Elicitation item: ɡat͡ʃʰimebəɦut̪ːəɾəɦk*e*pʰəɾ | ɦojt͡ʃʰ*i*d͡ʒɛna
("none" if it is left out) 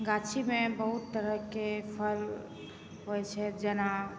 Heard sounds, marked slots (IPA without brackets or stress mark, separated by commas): e, ɛ